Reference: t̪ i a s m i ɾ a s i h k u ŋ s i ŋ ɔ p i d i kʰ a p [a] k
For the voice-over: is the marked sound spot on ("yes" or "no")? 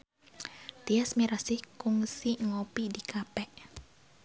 no